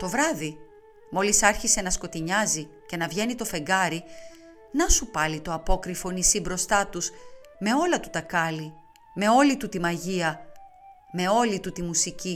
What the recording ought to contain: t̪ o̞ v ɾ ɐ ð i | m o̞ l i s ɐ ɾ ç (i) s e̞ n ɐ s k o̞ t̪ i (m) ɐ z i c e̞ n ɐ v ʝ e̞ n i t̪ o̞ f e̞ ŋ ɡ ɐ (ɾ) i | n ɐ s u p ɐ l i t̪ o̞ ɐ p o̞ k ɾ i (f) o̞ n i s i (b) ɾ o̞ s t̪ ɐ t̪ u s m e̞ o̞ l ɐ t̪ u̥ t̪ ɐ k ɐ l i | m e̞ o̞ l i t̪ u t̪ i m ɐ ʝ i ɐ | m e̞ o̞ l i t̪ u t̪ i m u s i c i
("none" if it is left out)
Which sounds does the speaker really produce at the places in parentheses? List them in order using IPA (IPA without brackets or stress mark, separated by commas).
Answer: i, ɲ, ɾ, f, b